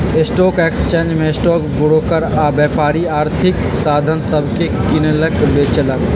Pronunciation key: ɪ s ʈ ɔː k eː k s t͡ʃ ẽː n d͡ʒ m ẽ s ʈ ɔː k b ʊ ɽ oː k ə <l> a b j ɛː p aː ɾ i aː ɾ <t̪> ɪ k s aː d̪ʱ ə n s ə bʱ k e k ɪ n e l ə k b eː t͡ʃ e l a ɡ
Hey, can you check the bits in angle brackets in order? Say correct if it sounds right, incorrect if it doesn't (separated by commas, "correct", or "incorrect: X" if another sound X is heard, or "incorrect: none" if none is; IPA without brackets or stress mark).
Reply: incorrect: ɾ, incorrect: t̪ʰ